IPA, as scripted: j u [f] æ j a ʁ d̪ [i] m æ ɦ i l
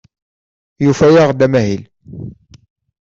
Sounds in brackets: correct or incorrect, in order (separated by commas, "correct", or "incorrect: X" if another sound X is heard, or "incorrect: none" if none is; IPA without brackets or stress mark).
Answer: correct, incorrect: æ